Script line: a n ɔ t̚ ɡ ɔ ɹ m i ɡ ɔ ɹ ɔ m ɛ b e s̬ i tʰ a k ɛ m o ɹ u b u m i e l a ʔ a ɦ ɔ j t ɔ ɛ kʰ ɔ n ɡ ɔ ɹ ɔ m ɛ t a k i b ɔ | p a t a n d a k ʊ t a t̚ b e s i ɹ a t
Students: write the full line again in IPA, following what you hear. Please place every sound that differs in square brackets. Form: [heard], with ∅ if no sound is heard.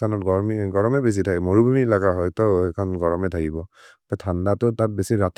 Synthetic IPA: a n ɔ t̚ ɡ ɔ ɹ m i ɡ ɔ ɹ ɔ m ɛ b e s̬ i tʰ a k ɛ m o ɹ u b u m i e l a [k] a ɦ ɔ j t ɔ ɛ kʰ ɔ n ɡ ɔ ɹ ɔ m ɛ [tʰ] a k i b ɔ | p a [tʰ] a n d a [t] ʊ t a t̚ b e s i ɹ a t